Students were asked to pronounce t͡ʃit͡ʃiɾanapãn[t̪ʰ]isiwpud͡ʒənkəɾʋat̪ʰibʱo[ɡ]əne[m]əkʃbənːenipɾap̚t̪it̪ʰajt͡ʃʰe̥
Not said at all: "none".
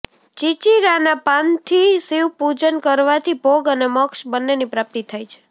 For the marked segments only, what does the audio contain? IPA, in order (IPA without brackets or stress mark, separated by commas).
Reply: t̪ʰ, ɡ, m